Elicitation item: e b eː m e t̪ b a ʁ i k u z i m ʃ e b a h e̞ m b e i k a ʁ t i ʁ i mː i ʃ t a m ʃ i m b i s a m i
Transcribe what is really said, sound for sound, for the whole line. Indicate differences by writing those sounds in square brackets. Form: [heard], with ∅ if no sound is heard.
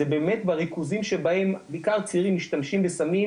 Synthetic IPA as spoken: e b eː m e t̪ b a ʁ i k u z i m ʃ e b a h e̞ m b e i k a ʁ [t͡s] i ʁ i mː i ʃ t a m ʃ i m b [e] s a m i